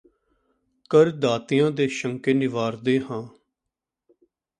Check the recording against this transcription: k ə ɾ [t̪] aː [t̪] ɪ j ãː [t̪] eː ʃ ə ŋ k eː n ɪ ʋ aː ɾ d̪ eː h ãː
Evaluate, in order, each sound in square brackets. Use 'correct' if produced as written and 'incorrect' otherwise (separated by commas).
incorrect, correct, incorrect